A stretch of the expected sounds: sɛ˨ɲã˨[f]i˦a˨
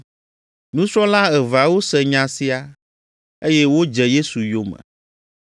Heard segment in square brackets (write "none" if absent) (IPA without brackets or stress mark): s